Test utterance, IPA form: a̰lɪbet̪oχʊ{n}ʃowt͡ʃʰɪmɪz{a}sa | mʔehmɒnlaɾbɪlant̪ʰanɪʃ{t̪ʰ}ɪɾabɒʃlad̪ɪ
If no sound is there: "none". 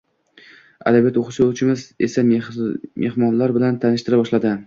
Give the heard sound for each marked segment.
none, e, t̪

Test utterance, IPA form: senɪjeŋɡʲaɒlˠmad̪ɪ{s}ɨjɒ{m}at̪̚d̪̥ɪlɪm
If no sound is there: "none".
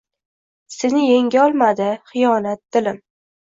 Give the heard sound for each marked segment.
χ, n

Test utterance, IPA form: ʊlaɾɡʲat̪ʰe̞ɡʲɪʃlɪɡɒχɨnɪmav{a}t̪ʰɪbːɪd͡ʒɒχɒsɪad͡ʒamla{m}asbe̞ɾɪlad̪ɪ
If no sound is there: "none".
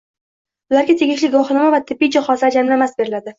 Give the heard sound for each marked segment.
a, m

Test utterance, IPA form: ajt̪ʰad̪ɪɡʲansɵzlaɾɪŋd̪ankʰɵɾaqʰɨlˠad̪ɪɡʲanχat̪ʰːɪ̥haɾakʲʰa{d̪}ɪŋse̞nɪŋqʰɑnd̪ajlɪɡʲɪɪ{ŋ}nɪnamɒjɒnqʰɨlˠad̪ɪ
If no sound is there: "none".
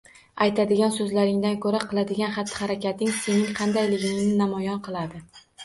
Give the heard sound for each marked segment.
t̪, ŋ

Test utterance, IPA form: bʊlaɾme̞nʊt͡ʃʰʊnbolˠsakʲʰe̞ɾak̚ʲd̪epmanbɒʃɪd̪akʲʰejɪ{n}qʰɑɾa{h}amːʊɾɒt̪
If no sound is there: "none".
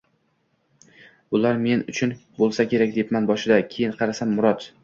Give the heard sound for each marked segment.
n, s

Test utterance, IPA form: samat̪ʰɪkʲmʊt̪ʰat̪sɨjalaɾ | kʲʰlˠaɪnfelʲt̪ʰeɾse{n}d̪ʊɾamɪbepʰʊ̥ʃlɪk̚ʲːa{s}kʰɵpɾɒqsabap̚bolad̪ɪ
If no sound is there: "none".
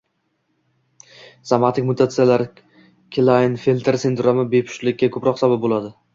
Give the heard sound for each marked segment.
n, none

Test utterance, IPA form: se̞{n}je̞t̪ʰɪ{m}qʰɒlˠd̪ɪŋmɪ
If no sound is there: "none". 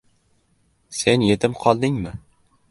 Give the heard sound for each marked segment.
n, m

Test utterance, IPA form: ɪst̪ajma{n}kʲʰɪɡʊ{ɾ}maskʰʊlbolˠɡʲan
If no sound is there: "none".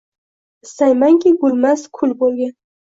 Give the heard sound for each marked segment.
ŋ, l

